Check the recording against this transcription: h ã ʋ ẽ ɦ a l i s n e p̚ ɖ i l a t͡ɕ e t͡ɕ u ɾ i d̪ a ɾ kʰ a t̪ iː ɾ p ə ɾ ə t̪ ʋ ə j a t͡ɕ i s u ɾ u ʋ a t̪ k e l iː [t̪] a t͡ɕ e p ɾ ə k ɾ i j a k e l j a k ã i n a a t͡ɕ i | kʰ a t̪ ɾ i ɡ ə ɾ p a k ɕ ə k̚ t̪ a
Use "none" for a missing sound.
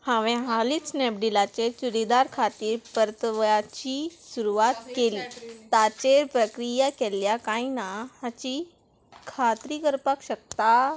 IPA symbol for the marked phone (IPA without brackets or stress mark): t̪